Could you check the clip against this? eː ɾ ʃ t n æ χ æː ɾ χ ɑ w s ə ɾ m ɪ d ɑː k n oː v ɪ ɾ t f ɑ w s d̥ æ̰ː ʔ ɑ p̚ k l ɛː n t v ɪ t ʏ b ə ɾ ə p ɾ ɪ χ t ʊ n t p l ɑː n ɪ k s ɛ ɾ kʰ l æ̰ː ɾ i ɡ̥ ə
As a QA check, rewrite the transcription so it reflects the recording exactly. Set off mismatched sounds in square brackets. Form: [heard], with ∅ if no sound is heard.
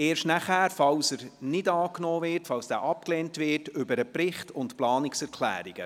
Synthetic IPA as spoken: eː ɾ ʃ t n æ χ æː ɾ [f] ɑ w s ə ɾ [n] ɪ d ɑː k n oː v ɪ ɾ t f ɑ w s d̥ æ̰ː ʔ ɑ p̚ k l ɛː n t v ɪ t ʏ b ə ɾ ə p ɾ ɪ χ t ʊ n t p l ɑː n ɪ k s ɛ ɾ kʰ l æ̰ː ɾ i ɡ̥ ə